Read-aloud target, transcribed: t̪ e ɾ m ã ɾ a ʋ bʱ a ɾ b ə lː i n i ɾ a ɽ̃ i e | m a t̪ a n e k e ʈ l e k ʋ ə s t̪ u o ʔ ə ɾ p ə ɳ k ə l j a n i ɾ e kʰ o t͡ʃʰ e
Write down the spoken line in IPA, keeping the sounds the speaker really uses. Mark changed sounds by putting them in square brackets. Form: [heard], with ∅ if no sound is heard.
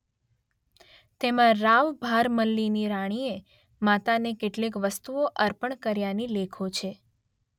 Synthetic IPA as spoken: t̪ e [∅] m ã ɾ a ʋ bʱ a ɾ [m] ə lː i n i ɾ a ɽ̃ i e | m a t̪ a n e k e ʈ l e k ʋ ə s t̪ u o ʔ ə ɾ p ə ɳ k ə [ɾ] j a n i [l] e kʰ o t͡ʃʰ e